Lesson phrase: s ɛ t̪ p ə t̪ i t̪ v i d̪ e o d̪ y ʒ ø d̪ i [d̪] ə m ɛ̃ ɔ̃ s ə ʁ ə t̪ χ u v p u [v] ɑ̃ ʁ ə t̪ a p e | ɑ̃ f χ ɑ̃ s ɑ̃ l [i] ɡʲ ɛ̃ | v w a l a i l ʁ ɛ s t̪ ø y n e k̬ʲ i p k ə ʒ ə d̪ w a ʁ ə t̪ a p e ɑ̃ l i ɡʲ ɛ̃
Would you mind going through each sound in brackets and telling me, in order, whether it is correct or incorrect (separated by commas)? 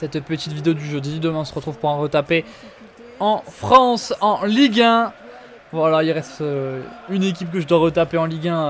correct, incorrect, correct